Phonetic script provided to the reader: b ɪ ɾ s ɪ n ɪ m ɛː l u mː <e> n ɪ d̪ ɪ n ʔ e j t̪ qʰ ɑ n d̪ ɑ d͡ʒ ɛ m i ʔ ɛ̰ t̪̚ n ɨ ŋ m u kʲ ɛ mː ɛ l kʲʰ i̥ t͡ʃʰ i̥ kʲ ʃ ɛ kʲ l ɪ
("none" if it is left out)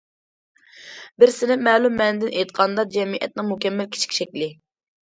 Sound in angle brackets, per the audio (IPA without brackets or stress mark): ɛ